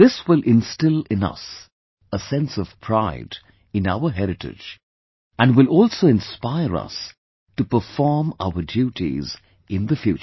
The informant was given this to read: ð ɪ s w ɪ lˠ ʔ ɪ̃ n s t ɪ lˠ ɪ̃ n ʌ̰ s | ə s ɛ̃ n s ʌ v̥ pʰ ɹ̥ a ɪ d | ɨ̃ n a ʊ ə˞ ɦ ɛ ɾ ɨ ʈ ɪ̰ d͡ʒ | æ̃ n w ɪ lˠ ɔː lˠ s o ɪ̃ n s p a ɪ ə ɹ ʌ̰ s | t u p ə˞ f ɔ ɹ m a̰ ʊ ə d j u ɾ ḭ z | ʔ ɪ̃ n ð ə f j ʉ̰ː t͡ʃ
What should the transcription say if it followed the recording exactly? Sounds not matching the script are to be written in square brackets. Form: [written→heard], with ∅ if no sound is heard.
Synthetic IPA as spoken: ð ɪ s w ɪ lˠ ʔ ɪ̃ n s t ɪ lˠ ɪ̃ n ʌ̰ s | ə s ɛ̃ n s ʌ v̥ pʰ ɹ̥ a ɪ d | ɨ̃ n a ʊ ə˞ ɦ ɛ ɾ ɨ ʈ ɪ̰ d͡ʒ | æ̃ n w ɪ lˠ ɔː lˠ s o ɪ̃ n s p a ɪ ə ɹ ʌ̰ s | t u p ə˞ f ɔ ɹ m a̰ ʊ ə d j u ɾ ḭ z | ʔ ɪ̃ n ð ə f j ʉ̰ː t͡ʃ